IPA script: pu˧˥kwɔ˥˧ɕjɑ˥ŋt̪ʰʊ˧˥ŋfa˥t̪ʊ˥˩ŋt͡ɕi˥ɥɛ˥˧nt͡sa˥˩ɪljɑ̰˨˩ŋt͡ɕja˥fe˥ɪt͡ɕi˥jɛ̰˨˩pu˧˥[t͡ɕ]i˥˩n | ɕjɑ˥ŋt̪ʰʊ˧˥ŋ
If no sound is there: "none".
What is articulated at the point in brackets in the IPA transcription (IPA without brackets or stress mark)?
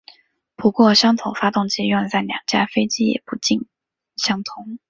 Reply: t͡ɕ